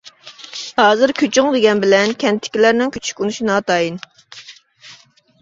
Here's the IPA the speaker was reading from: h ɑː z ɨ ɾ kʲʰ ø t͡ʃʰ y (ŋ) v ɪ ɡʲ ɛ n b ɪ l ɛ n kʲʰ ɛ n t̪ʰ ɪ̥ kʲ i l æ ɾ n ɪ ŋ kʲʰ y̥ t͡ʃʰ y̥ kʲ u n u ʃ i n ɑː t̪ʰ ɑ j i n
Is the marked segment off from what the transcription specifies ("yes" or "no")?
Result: no